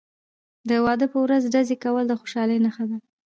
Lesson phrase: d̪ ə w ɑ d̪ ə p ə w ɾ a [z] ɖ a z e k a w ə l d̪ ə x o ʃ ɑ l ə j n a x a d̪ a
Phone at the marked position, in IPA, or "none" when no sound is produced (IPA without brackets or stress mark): z